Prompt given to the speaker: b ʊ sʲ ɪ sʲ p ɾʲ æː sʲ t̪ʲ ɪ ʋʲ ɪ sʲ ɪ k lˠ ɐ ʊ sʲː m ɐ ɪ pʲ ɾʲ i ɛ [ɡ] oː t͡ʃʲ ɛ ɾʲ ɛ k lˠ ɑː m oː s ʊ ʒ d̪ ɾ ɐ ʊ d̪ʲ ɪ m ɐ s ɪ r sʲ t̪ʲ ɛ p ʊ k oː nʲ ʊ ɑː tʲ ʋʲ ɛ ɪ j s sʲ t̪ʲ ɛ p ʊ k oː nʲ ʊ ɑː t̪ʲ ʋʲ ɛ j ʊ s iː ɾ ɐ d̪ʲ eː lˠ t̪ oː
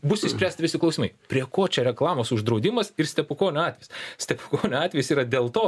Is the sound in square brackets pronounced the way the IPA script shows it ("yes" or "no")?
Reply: no